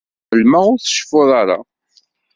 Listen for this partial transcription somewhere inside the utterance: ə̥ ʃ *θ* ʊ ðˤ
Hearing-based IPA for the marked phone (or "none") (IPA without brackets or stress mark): f